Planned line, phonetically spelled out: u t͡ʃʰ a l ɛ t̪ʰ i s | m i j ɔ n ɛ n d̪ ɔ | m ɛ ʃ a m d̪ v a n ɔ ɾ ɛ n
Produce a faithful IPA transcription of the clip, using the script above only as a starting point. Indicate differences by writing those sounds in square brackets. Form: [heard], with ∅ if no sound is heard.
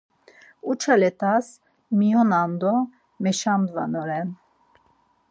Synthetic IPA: u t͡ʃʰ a l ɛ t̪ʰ [a] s | m i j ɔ n [a] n d̪ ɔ | m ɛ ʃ a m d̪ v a n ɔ ɾ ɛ n

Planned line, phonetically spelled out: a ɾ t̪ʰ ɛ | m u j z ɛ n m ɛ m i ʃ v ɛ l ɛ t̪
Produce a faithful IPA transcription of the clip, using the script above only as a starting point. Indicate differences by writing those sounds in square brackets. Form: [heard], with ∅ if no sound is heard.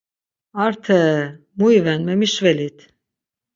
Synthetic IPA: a ɾ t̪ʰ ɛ | m u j [v] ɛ n m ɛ m i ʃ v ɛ l [i] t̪

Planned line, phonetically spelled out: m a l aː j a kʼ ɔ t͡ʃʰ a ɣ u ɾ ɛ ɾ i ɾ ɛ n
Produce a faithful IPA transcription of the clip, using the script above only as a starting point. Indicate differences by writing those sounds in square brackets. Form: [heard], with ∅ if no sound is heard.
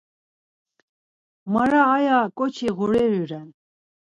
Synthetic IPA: m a [ɾ] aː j a kʼ ɔ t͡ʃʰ [i] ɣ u ɾ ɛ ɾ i ɾ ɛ n

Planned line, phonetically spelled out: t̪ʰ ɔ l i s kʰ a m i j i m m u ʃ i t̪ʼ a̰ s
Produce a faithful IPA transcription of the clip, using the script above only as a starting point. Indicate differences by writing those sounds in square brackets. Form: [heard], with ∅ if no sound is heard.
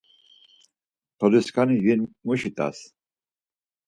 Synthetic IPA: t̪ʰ ɔ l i s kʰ a [n] i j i [n] m u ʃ i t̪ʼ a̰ s

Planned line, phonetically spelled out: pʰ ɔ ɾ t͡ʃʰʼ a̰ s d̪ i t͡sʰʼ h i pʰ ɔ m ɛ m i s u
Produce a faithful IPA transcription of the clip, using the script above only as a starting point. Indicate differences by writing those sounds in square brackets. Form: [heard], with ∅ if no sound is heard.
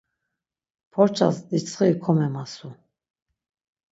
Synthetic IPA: pʰ ɔ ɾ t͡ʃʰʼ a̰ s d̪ i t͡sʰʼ [χ] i [kʰ] ɔ m ɛ m [a] s u

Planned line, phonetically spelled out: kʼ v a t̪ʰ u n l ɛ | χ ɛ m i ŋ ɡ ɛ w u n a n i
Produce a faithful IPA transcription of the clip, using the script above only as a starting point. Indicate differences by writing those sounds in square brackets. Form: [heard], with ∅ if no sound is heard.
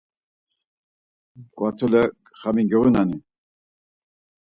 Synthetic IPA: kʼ [w] a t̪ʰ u [∅] l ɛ | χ [a] m i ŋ ɡ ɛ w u n a n i

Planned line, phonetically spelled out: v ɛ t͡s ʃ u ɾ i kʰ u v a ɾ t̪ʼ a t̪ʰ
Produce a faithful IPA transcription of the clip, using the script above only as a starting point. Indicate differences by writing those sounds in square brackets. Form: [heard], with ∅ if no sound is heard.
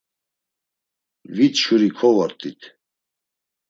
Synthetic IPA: v [i] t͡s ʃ u ɾ i kʰ [ɔ] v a ɾ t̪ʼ [i] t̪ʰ

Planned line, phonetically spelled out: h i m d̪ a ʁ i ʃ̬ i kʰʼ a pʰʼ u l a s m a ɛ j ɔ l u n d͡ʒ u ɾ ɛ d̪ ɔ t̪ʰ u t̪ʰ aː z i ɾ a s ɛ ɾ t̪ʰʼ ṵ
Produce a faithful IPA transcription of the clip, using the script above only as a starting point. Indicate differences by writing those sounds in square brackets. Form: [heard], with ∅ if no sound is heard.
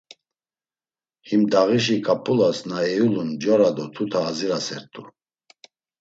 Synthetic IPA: h i m d̪ a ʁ i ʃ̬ i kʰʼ a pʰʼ u l a s [n] a ɛ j [u] l u n d͡ʒ [ɔ] ɾ [a] d̪ ɔ t̪ʰ u t̪ʰ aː z i ɾ a s ɛ ɾ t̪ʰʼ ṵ

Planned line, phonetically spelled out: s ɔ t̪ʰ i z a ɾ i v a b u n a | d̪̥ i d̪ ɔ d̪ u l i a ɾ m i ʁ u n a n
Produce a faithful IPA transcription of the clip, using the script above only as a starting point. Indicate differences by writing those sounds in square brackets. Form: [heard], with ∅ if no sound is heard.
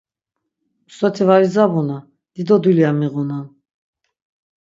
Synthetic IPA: s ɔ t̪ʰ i [v] a ɾ i [z] a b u n a | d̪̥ i d̪ ɔ d̪ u l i a [∅] m i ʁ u n a n

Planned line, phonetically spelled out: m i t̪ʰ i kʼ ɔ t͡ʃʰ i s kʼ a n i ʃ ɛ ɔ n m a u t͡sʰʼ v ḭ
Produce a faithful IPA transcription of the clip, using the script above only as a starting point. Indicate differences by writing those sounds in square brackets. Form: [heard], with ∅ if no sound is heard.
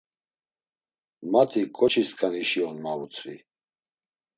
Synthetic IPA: m [a] t̪ʰ i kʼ ɔ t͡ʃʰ i s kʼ a n i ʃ [i] ɔ n m a u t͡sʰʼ v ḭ

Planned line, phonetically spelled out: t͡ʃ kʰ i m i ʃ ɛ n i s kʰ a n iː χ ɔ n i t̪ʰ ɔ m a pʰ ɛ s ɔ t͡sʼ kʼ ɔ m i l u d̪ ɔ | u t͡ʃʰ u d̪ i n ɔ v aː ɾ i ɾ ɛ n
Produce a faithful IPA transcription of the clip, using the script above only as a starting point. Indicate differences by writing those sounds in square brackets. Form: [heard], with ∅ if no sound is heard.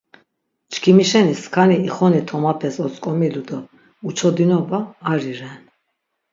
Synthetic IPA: t͡ʃ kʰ i m i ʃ ɛ n i s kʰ a n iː χ ɔ n i t̪ʰ ɔ m a pʰ ɛ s ɔ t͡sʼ kʼ ɔ m i l u d̪ ɔ | u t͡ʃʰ [ɔ] d̪ i n ɔ [b] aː ɾ i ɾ ɛ n

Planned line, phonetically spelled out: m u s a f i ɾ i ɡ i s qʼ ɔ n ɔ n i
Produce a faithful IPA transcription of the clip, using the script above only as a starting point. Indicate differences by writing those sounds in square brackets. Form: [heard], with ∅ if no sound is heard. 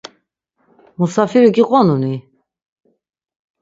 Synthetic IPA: m u s a f i ɾ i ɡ i [∅] qʼ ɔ n [u] n i

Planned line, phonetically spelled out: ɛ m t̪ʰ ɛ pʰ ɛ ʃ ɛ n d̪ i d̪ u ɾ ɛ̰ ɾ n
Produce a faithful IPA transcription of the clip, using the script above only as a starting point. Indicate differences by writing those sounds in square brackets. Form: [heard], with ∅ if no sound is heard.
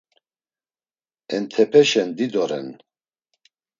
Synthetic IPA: ɛ [n] t̪ʰ ɛ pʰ ɛ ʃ ɛ n d̪ i d̪ [ɔ] ɾ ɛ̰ [∅] n

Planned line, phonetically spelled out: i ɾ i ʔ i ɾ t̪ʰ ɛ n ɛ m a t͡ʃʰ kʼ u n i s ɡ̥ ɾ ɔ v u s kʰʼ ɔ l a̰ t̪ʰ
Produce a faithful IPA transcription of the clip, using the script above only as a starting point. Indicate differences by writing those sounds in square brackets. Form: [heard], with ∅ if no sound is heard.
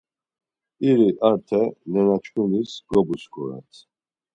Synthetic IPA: i ɾ i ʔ [a] ɾ t̪ʰ ɛ n ɛ [n] a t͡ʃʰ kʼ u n i s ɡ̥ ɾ ɔ [b] u s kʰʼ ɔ [ɾ] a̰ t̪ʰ

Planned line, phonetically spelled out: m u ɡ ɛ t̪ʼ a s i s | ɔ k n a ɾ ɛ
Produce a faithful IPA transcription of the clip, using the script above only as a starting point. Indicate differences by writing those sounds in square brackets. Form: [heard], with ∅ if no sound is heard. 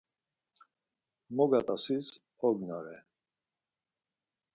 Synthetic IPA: m [ɔ] ɡ [a] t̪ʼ a s i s | ɔ [ɡ] n a ɾ ɛ

